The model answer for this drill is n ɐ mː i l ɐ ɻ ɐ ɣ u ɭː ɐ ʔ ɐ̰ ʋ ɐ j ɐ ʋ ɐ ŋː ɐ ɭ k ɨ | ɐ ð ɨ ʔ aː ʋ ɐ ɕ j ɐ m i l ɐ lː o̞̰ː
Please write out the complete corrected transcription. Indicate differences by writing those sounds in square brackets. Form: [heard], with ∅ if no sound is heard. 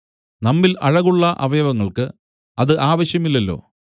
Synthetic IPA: n ɐ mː i l ɐ ɻ ɐ ɣ u ɭː ɐ ʔ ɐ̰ ʋ ɐ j ɐ ʋ ɐ ŋː ɐ ɭ k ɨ | ɐ ð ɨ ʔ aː ʋ ɐ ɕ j ɐ m i [lː] ɐ lː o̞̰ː